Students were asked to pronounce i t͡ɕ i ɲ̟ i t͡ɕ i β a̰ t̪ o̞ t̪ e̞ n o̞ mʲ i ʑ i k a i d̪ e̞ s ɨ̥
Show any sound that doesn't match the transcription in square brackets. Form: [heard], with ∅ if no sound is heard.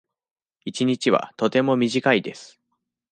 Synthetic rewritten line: i t͡ɕ i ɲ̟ i t͡ɕ i β a̰ t̪ o̞ t̪ e̞ [m] o̞ mʲ i ʑ i k a i d̪ e̞ s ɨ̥

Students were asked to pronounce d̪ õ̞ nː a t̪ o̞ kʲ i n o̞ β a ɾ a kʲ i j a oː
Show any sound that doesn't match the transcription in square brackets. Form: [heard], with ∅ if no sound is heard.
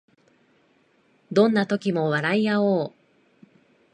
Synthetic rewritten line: d̪ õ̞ nː a t̪ o̞ kʲ i [m] o̞ β a ɾ a [∅] i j a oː

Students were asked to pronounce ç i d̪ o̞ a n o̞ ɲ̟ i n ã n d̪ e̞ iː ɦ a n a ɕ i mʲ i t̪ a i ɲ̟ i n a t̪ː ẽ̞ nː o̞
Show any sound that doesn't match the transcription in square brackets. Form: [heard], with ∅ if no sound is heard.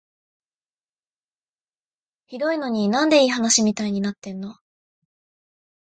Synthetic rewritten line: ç i d̪ o̞ [i] n o̞ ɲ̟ i n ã n d̪ e̞ iː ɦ a n a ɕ i mʲ i t̪ a i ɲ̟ i n a t̪ː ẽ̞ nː o̞

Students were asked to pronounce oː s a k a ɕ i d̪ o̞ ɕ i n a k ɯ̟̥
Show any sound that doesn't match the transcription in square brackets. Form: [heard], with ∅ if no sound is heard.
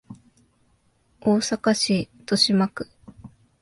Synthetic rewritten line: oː s a k a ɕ i [t̪] o̞ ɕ i [m] a k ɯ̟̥

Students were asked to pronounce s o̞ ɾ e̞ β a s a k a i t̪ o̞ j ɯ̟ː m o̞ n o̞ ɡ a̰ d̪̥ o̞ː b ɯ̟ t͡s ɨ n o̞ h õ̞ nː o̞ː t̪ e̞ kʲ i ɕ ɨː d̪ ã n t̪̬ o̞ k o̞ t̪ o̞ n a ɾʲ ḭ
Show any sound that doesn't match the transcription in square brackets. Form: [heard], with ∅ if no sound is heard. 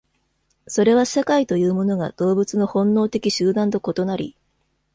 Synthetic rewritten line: s o̞ ɾ e̞ β a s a k a i t̪ o̞ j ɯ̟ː m o̞ n o̞ ɡ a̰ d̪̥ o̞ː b ɯ̟ t͡s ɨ n o̞ h õ̞ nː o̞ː t̪ e̞ kʲ i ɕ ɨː d̪ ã n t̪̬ o̞ k o̞ t̪ o̞ n a ɾʲ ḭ

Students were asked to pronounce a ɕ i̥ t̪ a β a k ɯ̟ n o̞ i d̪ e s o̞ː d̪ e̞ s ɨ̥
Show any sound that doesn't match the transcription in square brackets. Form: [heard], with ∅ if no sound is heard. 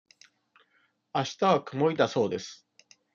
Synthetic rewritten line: a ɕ i̥ t̪ a β a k ɯ̟ [m] o̞ i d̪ [a] s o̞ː d̪ e̞ s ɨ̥

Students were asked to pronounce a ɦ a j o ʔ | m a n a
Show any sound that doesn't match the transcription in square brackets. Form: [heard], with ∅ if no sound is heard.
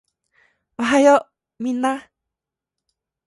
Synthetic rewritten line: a ɦ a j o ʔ | m [i] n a

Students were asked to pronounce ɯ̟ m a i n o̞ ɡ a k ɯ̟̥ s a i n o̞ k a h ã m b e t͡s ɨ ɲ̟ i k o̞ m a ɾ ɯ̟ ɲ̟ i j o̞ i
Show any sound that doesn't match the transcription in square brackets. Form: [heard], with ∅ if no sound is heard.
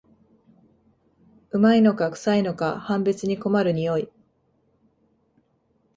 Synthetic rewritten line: ɯ̟ m a i n o̞ [k] a k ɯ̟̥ s a i n o̞ k a h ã m b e t͡s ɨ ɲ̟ i k o̞ m a ɾ ɯ̟ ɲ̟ i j o̞ i

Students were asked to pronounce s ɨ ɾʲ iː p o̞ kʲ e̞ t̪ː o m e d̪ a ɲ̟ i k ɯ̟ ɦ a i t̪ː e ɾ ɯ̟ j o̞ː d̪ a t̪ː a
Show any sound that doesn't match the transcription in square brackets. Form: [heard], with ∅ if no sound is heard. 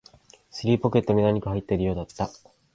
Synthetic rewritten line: s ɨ ɾʲ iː p o̞ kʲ e̞ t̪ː o m e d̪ a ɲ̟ i k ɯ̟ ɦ a i t̪ː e ɾ ɯ̟ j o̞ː d̪ a t̪ː a

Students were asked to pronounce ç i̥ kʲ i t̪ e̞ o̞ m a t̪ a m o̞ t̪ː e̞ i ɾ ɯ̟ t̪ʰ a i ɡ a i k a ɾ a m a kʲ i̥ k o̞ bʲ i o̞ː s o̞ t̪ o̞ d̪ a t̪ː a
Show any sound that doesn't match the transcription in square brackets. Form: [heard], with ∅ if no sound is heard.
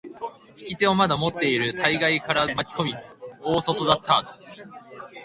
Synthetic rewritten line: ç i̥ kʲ i t̪ e̞ o̞ m a [d̪] a m o̞ t̪ː e̞ i ɾ ɯ̟ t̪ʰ a i ɡ a i k a ɾ a m a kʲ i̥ k o̞ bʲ i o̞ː s o̞ t̪ o̞ d̪ a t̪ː a

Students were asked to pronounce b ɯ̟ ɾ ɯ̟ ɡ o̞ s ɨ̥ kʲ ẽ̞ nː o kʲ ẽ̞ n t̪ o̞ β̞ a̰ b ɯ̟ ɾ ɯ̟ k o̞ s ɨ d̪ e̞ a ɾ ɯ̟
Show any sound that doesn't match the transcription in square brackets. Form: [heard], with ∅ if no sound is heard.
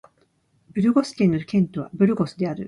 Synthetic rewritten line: b ɯ̟ ɾ ɯ̟ ɡ o̞ s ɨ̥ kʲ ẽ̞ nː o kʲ ẽ̞ n t̪ o̞ β̞ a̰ b ɯ̟ ɾ ɯ̟ [ɡ] o̞ s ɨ d̪ e̞ a ɾ ɯ̟

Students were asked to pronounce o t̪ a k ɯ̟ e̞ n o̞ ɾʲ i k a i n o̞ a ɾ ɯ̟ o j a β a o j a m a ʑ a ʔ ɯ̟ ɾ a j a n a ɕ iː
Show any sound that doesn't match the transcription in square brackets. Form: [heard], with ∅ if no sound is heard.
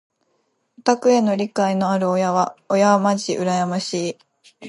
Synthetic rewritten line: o t̪ a k ɯ̟ e̞ n o̞ ɾʲ i k a i n o̞ a ɾ ɯ̟ o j a β a o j a m a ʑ [i] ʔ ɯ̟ ɾ a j a [m] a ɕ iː

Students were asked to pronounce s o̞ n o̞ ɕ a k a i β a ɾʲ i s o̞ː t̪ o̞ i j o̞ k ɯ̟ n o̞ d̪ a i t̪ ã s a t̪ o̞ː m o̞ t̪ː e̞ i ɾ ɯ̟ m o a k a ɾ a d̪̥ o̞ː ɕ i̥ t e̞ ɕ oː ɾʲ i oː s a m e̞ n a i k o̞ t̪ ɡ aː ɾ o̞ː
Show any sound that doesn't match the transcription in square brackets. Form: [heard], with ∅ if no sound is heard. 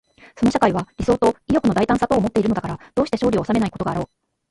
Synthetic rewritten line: s o̞ n o̞ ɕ a k a i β a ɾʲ i s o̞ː t̪ o̞ i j o̞ k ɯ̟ n o̞ d̪ a i t̪ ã s a t̪ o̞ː m o̞ t̪ː e̞ i ɾ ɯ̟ [n] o a k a ɾ a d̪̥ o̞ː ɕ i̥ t e̞ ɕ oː ɾʲ i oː s a m e̞ n a i k o̞ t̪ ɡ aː ɾ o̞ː

